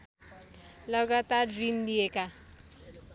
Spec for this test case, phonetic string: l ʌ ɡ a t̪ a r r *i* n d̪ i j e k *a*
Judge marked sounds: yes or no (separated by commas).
yes, yes